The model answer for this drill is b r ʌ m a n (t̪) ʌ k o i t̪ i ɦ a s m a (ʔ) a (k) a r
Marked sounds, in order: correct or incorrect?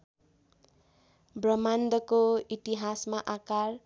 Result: incorrect: d̪, correct, correct

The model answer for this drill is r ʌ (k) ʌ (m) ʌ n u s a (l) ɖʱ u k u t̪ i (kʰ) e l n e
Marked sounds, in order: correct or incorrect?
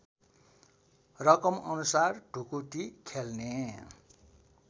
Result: correct, correct, incorrect: r, correct

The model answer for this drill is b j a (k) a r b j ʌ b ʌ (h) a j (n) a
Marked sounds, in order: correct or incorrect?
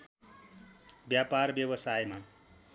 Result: incorrect: p, incorrect: s, incorrect: m

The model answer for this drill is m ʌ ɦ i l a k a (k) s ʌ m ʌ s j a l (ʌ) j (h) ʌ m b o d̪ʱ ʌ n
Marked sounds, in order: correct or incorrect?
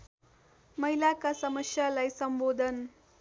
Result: incorrect: none, incorrect: a, incorrect: s

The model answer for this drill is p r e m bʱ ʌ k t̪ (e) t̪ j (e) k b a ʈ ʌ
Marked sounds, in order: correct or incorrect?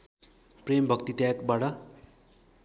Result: incorrect: i, incorrect: a

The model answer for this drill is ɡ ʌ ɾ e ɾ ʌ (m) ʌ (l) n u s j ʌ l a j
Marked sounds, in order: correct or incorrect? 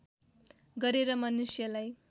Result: correct, incorrect: none

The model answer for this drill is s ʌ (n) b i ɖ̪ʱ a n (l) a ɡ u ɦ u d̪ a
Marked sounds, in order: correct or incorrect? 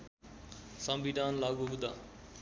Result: incorrect: m, correct

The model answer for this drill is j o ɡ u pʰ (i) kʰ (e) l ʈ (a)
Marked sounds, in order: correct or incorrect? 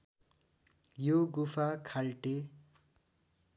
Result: incorrect: a, incorrect: a, incorrect: e

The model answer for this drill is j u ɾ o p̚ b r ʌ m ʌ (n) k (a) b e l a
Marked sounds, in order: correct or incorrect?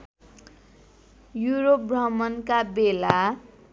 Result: correct, correct

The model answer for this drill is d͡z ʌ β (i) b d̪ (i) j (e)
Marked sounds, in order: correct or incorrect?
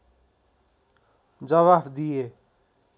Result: incorrect: a, correct, correct

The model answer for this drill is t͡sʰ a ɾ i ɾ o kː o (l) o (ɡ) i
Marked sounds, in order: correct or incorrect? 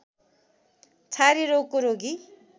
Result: incorrect: ɾ, correct

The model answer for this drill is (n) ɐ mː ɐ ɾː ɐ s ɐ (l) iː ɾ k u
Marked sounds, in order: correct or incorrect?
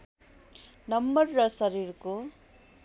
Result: correct, incorrect: ɾ

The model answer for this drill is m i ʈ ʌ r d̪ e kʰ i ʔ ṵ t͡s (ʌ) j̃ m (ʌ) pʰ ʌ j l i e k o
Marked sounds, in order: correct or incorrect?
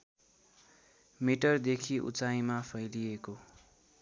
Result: incorrect: a, incorrect: a

